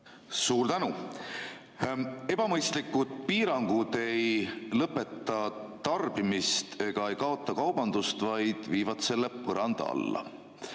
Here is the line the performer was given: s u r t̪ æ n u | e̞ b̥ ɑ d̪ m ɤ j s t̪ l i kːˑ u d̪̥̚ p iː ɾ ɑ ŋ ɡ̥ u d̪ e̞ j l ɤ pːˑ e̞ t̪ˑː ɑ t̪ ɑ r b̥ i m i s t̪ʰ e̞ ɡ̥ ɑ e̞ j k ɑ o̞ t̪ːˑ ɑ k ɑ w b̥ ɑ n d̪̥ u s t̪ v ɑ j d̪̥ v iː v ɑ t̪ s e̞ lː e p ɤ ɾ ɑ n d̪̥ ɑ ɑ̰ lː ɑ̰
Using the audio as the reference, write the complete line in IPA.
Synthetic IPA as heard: s uː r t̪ æ n u | e̞ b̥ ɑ m ɤ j s t̪ l i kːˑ u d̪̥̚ p iː ɾ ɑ ŋ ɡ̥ u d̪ e̞ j l ɤ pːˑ e̞ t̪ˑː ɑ t̪ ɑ r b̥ i m i s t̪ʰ e̞ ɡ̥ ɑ e̞ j k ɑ o̞ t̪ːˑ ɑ k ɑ w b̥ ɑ n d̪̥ u s t̪ v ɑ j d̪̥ v iː v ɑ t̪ s e̞ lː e p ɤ ɾ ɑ n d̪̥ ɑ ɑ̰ lː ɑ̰

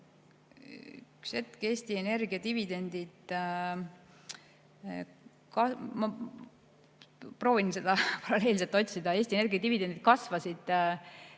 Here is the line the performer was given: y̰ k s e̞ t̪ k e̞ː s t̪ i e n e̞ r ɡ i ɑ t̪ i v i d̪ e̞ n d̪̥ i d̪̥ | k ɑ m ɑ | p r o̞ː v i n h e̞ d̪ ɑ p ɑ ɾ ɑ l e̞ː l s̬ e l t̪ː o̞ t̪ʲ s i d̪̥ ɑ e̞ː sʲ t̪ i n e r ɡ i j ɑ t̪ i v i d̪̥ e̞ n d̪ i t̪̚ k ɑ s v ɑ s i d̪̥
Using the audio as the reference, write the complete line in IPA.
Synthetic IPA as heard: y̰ k s e̞ t̪ k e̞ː s t̪ i e n e̞ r ɡ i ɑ t̪ i v i d̪ e̞ n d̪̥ i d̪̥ | k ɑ m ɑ | p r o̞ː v i n s e̞ d̪ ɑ p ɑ ɾ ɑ l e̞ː l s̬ e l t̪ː o̞ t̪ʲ s i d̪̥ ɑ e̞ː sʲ t̪ i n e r ɡ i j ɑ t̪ i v i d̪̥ e̞ n d̪ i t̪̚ k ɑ s v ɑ s i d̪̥

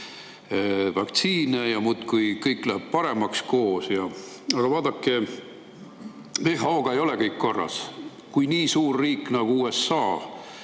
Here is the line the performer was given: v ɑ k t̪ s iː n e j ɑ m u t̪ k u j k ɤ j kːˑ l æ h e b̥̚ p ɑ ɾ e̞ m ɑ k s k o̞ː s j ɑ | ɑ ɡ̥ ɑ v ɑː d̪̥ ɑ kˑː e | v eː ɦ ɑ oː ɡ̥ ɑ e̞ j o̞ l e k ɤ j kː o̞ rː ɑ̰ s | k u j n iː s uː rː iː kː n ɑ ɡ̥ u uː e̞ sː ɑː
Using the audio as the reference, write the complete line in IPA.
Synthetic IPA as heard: v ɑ k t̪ s iː n e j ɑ m u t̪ k u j k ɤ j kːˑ l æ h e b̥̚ p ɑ ɾ e̞ m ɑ k s k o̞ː s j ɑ | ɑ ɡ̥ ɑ v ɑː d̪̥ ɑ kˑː e | v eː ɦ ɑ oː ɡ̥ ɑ e̞ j o̞ l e k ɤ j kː o̞ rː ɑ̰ s | k u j n iː s uː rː iː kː n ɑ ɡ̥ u uː e̞ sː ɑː

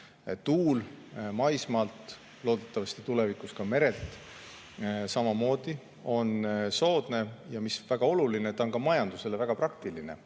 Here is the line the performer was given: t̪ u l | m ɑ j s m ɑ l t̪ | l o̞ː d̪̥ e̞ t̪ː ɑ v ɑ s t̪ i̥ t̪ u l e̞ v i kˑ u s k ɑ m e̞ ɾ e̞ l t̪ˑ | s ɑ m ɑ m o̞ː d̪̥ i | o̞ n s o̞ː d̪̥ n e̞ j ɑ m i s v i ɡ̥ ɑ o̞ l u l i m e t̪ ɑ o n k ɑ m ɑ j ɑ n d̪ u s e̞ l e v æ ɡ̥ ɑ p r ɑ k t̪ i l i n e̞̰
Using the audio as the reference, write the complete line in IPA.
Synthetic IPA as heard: t̪ uː l | m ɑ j s m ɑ l t̪ | l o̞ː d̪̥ e̞ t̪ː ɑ v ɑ s t̪ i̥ t̪ u l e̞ v i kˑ u s k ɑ m e̞ ɾ e̞ l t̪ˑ | s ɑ m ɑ m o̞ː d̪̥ i | o̞ n s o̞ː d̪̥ n e̞ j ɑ m i s v æ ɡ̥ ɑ o̞ l u l i n e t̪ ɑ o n k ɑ m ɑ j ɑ n d̪ u s e̞ l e v æ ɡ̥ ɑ p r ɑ k t̪ i l i n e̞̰

